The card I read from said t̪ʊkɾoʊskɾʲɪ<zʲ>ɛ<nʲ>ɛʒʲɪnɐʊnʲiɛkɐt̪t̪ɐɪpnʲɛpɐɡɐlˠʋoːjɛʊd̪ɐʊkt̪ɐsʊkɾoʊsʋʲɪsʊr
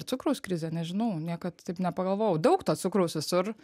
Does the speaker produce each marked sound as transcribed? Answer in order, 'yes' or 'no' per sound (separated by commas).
yes, yes